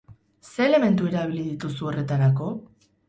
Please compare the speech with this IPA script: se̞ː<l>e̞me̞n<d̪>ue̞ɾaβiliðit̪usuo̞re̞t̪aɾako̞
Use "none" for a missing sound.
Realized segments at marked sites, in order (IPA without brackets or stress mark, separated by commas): l, t̪